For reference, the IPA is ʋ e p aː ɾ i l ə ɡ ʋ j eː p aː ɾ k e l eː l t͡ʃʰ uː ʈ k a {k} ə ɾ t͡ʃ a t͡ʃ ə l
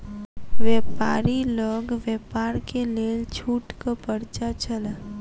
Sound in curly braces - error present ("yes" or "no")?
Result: yes